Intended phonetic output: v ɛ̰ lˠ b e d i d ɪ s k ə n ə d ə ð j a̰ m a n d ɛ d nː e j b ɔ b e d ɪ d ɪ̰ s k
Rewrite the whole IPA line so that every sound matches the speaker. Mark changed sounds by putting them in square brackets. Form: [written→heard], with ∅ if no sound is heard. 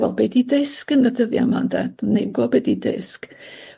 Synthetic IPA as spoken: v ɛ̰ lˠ b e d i d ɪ s k ə n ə d ə ð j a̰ m a n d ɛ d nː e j [b→ɡ] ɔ b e d [ɪ→i] d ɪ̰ s k